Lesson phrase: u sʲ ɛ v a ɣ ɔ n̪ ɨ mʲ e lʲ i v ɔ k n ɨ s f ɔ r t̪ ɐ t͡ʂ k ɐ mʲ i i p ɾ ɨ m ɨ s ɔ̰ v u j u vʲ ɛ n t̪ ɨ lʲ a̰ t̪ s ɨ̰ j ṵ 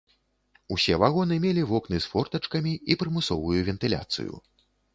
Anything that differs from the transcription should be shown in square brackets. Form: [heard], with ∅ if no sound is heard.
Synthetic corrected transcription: u sʲ ɛ v a ɣ ɔ n̪ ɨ mʲ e lʲ i v ɔ k n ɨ s f ɔ r t̪ ɐ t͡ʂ k ɐ mʲ i i p ɾ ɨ m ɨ s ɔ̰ v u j u vʲ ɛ n t̪ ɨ lʲ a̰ t̪ s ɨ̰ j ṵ